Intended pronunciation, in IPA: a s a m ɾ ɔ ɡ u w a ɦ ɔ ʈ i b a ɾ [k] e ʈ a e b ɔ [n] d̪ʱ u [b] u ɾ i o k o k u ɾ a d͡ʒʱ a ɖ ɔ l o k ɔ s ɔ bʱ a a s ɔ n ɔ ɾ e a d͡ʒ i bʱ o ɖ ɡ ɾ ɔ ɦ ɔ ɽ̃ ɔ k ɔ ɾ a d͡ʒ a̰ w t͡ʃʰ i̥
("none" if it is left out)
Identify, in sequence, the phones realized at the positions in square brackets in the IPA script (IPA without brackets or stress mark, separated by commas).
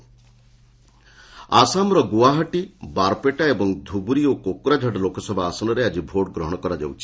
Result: p, ŋ, b